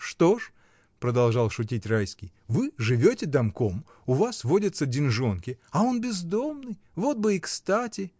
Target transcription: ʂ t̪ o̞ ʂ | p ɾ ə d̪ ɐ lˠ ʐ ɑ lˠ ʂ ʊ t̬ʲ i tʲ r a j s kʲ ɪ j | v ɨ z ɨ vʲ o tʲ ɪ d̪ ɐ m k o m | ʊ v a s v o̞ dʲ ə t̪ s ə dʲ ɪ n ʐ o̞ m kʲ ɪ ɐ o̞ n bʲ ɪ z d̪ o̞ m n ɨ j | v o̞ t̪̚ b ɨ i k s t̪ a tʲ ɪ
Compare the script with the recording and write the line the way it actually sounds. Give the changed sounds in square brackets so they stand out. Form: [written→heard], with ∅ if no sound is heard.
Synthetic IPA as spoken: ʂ t̪ o̞ ʂ | p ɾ ə d̪ ɐ lˠ ʐ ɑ lˠ ʂ ʊ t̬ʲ i tʲ r a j s kʲ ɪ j | v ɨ [z→ʐ] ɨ vʲ o tʲ ɪ d̪ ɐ m k o m | ʊ v a s v o̞ dʲ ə t̪ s ə dʲ ɪ n ʐ o̞ [m→n] kʲ ɪ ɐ o̞ n bʲ ɪ z d̪ o̞ m n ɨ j | v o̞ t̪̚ b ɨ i k s t̪ a tʲ ɪ